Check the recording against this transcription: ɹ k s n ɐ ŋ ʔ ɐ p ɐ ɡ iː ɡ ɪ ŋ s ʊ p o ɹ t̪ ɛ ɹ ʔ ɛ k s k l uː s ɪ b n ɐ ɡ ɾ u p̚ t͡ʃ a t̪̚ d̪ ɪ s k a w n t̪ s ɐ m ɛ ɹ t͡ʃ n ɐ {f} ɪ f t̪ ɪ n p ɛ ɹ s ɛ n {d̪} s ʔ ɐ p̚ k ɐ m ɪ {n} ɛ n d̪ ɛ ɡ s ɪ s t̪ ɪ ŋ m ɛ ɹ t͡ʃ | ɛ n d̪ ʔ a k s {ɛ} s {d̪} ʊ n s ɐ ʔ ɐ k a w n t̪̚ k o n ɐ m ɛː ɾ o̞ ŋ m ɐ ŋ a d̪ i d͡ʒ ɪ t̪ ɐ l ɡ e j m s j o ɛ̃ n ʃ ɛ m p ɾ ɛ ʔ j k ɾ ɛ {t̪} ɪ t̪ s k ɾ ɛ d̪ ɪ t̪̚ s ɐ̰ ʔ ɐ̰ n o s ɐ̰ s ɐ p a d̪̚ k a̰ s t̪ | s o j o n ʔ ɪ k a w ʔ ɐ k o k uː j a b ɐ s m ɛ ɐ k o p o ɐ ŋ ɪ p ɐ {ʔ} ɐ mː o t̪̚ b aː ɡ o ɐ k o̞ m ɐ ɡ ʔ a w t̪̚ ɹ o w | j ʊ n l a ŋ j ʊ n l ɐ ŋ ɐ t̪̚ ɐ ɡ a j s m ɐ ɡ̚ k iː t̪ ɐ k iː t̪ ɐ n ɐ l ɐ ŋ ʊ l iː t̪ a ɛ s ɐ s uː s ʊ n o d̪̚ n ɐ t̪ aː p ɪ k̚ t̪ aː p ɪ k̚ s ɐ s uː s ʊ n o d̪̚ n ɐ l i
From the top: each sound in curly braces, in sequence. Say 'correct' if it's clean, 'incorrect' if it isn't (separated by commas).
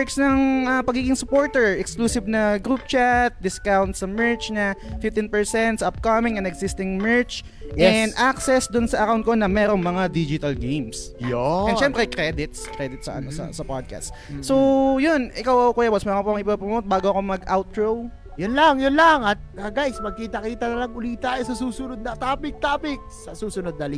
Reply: correct, incorrect, incorrect, correct, correct, incorrect, incorrect